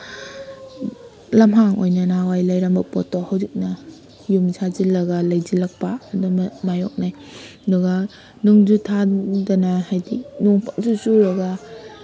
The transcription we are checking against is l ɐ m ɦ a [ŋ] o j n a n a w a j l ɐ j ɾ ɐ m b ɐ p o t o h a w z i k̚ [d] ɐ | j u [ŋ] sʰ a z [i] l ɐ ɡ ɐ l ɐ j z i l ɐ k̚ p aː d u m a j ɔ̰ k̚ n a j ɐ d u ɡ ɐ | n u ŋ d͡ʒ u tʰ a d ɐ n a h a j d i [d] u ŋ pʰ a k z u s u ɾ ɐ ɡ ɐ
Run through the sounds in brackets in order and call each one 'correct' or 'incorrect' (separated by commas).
correct, incorrect, incorrect, correct, incorrect